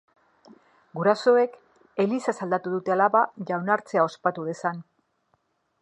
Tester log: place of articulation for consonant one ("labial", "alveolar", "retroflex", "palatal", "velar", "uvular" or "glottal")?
velar